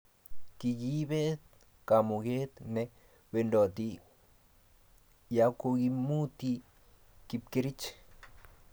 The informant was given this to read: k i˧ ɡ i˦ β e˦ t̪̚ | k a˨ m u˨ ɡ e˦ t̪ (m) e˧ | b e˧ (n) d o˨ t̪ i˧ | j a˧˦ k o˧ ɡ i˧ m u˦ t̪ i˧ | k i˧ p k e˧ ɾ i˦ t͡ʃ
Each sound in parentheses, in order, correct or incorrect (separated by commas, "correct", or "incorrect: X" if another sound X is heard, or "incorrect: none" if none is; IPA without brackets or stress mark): incorrect: n, correct